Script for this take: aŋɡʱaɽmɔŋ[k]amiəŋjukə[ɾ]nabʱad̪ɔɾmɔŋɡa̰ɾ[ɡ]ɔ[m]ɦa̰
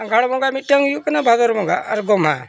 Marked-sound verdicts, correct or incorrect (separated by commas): incorrect, incorrect, correct, correct